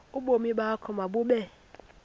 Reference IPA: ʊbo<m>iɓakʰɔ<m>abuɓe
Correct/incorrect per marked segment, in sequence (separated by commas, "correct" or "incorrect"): correct, correct